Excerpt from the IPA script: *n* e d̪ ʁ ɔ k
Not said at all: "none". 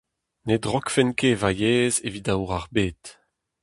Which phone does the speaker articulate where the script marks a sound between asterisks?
n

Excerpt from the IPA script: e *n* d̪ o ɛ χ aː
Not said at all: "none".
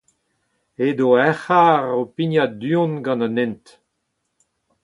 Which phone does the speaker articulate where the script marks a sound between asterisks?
none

